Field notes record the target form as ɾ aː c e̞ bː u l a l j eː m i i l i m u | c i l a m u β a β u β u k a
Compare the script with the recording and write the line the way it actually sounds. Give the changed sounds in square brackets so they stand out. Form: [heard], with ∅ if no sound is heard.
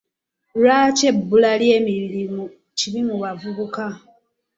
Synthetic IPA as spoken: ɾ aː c e̞ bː u l a l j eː m i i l i m u | c i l [i] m u β a [v] u β u k a